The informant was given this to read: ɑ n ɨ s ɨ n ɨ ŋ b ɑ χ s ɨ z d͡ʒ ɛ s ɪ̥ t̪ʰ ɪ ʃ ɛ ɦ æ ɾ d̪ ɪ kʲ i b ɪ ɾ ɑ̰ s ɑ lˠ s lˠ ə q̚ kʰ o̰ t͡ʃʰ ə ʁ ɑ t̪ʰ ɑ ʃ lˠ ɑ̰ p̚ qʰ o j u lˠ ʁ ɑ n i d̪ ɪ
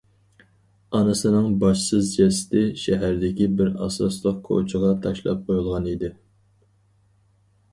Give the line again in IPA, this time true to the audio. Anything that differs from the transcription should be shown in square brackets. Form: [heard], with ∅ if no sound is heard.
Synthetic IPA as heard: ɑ n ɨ s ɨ n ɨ ŋ b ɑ [ʃ] s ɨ z d͡ʒ ɛ s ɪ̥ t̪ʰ ɪ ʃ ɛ ɦ æ ɾ d̪ ɪ kʲ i b ɪ ɾ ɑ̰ s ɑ [∅] s lˠ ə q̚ kʰ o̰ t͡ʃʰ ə ʁ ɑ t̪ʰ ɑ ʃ lˠ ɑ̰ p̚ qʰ o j u lˠ ʁ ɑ n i d̪ ɪ